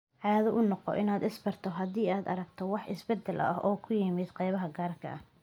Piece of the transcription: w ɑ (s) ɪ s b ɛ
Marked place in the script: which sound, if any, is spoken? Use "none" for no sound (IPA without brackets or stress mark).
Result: ħ